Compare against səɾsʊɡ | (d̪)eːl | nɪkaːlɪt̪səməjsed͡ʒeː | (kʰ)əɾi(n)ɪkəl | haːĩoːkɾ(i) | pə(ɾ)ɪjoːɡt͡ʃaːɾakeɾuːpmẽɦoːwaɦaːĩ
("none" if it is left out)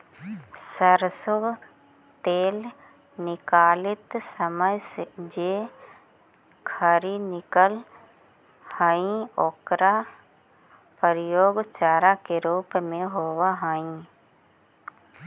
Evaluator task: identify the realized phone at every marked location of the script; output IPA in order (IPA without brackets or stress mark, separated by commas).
t̪, kʰ, n, a, ɾ